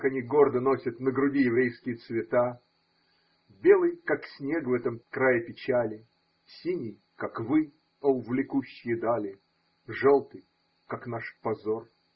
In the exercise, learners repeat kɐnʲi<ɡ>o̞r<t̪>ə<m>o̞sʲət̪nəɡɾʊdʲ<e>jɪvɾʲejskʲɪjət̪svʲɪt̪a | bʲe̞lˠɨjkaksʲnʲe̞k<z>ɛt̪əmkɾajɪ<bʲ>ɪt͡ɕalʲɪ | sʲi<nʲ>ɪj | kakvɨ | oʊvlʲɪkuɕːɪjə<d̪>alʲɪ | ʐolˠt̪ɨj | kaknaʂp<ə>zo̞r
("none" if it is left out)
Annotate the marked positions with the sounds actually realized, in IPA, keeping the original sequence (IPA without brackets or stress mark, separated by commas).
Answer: ɡ, d̪, n, i, v, pʲ, nʲ, d̪, ɐ